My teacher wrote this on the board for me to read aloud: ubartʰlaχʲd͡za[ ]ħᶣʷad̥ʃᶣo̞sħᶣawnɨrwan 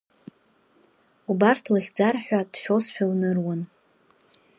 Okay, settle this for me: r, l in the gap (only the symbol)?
r